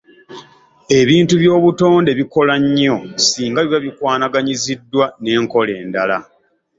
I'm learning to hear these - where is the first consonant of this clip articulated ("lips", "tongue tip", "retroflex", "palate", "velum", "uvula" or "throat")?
lips